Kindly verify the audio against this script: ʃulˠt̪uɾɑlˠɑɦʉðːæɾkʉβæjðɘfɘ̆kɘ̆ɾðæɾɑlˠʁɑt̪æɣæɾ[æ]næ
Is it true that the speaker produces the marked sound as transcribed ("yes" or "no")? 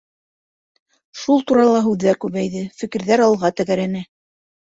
yes